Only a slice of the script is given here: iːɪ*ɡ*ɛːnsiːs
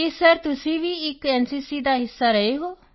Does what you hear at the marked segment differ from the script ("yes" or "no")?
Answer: yes